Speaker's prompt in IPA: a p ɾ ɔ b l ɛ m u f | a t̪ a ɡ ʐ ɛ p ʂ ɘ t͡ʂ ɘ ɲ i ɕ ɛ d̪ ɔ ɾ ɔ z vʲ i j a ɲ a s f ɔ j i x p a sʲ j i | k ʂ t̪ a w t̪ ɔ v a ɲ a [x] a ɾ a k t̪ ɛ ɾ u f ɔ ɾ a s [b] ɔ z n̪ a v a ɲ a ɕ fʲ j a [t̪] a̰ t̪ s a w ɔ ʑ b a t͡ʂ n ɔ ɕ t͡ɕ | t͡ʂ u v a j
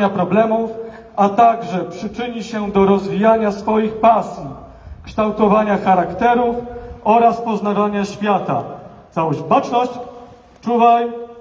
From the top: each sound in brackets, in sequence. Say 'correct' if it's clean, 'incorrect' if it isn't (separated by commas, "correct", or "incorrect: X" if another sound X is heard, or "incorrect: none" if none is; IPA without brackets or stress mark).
correct, incorrect: p, correct